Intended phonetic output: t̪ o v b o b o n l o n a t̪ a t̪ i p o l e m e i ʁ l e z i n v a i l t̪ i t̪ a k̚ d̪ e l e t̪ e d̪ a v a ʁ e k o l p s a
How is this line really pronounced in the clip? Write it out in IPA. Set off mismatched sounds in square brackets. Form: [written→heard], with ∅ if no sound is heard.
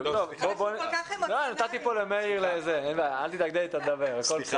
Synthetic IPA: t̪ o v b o b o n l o n a t̪ a t̪ i p o l e m e i ʁ l e z [i→e] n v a [i→a] l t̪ i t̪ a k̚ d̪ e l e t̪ [e→a] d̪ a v [a→e] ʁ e k o l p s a